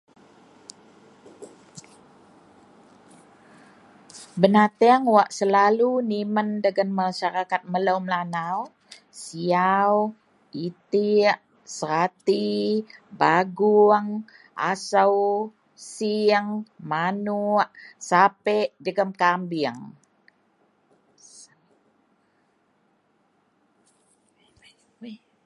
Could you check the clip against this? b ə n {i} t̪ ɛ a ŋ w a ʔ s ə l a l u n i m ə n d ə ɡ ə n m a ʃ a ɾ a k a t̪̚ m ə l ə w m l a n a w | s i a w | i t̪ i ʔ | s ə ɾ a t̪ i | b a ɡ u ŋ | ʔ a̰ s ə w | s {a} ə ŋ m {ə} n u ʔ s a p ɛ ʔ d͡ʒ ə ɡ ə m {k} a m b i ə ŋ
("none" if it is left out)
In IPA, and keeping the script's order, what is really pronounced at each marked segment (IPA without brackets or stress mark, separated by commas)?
a, i, a, k